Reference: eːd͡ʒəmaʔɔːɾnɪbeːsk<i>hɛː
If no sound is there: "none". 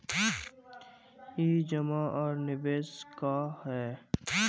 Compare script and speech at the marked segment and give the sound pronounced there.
a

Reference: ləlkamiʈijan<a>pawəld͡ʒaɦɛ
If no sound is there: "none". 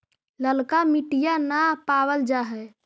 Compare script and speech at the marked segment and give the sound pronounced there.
a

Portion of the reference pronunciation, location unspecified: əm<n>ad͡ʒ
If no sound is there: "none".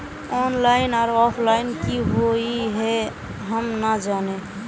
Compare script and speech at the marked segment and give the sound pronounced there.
n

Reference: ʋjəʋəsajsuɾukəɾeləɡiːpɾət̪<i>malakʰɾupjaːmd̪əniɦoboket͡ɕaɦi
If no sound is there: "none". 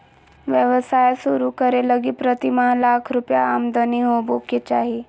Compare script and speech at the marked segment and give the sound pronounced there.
i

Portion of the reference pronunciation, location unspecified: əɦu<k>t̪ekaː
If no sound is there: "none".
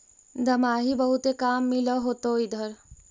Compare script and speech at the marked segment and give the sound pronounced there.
none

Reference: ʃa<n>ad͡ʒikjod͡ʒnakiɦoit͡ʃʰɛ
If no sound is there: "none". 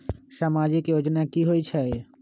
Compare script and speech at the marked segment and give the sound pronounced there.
m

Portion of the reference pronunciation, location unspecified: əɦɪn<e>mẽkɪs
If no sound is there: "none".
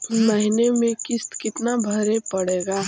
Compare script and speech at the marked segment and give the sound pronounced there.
e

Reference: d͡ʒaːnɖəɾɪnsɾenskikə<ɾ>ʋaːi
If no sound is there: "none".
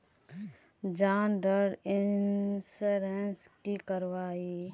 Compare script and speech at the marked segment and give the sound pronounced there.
ɾ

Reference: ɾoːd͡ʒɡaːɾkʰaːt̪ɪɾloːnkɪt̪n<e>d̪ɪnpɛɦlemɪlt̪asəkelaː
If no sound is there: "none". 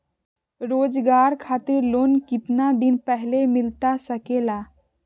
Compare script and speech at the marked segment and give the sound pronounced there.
a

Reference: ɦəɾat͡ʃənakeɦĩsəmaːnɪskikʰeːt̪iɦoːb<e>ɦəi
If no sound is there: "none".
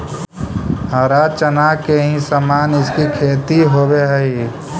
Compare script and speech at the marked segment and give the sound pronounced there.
e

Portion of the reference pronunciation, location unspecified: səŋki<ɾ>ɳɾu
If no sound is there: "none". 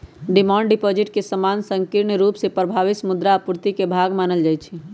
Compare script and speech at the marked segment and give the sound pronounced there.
ɾ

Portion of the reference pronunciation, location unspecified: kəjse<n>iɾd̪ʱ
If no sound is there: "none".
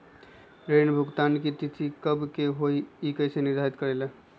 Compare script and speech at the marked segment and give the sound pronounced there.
n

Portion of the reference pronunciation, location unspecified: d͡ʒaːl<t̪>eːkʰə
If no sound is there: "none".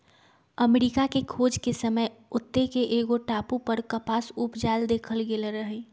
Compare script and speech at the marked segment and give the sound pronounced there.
d̪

